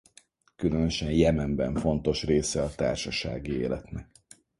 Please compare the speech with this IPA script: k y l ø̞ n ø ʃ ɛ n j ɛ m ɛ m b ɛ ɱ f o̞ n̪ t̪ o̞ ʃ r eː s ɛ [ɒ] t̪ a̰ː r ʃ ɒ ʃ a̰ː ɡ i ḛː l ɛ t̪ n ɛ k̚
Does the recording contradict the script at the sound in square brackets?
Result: no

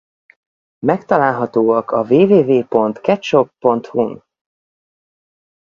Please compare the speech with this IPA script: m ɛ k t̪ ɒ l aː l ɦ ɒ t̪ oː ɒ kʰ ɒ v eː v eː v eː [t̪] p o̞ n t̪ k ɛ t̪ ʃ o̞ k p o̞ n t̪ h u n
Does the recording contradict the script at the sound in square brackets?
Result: yes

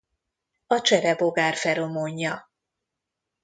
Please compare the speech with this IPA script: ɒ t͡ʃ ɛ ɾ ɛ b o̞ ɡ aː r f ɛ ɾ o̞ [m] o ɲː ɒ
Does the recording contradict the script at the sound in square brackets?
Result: no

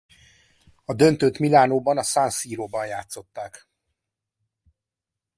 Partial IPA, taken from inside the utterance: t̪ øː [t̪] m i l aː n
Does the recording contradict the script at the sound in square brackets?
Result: no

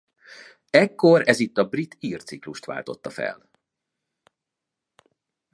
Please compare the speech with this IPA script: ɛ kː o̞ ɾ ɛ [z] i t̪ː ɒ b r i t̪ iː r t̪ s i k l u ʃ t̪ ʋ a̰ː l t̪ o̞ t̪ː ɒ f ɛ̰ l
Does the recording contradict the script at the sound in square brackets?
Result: no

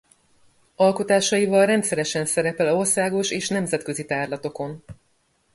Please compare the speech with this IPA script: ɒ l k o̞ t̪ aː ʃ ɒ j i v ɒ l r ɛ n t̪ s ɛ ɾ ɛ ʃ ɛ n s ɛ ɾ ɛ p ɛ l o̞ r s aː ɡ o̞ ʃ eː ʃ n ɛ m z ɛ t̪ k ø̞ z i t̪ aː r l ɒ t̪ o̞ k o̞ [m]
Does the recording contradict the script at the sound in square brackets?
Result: yes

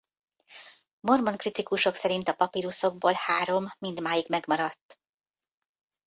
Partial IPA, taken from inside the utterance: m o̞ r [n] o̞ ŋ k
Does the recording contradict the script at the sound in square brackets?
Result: yes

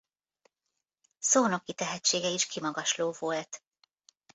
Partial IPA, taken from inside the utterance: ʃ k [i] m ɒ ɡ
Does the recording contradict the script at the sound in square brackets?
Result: no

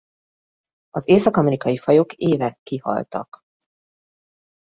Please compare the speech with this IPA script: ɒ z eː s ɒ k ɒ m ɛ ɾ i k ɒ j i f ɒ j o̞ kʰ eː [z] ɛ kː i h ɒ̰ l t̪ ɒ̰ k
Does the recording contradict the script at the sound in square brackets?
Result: yes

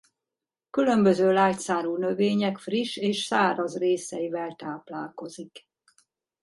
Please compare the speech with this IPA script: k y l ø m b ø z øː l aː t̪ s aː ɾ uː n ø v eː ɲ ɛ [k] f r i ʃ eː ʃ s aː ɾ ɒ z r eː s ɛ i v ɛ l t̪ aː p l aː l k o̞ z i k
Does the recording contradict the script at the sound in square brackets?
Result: no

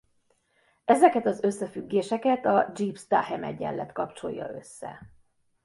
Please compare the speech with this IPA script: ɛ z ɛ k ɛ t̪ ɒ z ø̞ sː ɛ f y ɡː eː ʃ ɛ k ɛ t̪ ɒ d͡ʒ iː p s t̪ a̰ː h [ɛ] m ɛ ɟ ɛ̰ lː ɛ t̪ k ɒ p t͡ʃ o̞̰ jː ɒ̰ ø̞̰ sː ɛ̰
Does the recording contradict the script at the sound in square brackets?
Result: no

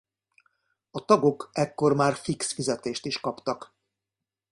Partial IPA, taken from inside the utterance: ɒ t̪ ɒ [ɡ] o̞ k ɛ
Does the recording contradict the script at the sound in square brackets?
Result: no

